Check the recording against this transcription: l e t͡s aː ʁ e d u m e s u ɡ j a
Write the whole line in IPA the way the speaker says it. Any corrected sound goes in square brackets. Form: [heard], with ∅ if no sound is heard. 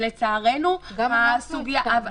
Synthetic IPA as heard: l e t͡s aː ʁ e [n] u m [a] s u ɡ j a